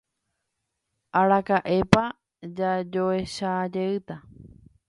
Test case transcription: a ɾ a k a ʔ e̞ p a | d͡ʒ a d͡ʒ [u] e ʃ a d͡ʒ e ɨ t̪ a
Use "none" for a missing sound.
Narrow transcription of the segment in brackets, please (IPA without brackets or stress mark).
o